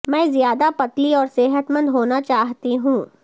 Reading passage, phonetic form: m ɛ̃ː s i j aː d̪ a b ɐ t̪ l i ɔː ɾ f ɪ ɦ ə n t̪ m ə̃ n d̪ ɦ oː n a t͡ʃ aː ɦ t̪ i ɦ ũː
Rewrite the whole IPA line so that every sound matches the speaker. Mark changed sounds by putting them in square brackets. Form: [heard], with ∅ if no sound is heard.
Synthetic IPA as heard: m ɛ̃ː [z] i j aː d̪ a [p] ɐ t̪ l i ɔː ɾ [s] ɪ ɦ ə [∅] t̪ m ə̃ n d̪ ɦ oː n a t͡ʃ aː ɦ t̪ i ɦ ũː